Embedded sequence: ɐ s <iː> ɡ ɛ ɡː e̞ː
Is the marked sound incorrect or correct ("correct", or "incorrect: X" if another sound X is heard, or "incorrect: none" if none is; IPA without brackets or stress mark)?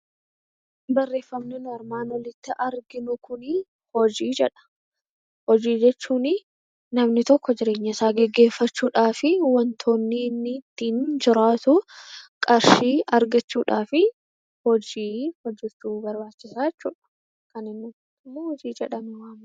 incorrect: aː